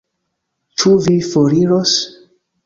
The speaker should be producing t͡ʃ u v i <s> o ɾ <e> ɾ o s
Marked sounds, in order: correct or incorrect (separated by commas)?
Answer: incorrect, incorrect